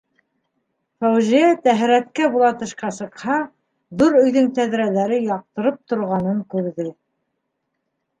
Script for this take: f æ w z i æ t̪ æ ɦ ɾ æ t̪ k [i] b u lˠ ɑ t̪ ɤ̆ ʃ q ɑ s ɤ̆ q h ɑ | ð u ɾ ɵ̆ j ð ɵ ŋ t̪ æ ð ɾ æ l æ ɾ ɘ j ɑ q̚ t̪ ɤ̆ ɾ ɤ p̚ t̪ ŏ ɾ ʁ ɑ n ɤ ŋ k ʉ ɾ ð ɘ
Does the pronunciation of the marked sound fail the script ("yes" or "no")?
yes